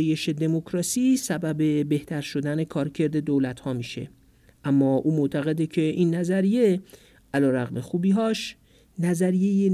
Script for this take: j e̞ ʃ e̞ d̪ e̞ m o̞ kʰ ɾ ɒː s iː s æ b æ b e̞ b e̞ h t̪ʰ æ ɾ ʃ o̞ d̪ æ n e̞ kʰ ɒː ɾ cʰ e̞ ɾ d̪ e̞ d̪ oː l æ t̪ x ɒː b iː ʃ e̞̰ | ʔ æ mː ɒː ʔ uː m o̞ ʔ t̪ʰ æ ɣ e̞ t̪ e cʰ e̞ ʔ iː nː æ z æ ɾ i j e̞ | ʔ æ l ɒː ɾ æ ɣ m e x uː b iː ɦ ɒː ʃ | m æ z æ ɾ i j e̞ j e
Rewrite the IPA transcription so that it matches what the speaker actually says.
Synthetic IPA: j e̞ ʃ e̞ d̪ e̞ m o̞ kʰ ɾ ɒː s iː s æ b æ b e̞ b e̞ h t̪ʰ æ ɾ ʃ o̞ d̪ æ n e̞ kʰ ɒː ɾ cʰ e̞ ɾ d̪ e̞ d̪ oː l æ t̪ h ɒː m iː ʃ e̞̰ | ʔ æ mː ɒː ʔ uː m o̞ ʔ t̪ʰ æ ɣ e̞ d̪ e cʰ e̞ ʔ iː nː æ z æ ɾ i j e̞ | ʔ æ l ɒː ɾ æ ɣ m e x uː b iː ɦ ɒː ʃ | n æ z æ ɾ i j e̞ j e